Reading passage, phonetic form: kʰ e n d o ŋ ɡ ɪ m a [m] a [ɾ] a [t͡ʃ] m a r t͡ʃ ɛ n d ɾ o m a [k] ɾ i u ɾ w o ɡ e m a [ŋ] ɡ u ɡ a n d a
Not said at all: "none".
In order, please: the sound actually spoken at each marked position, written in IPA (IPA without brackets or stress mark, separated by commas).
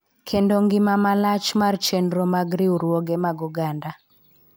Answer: m, l, t͡ʃ, ɡ, none